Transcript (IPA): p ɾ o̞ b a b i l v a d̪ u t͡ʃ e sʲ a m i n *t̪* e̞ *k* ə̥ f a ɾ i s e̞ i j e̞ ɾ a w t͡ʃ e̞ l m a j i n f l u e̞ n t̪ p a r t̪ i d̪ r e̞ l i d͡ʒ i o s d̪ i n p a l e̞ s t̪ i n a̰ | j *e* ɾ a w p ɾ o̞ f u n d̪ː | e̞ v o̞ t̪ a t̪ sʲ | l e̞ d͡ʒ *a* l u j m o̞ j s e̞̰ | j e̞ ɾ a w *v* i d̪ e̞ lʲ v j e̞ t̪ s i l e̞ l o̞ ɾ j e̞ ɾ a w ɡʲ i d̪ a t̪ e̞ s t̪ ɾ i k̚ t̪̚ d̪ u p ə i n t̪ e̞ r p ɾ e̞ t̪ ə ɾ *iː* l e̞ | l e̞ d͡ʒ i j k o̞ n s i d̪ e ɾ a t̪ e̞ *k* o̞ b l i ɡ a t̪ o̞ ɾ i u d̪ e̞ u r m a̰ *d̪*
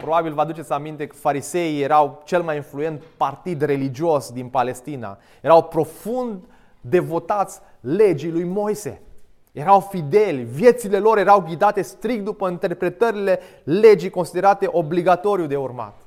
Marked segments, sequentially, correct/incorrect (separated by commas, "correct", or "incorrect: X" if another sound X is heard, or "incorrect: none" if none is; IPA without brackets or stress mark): correct, correct, correct, incorrect: i, incorrect: f, incorrect: i, incorrect: ʔ, incorrect: t̪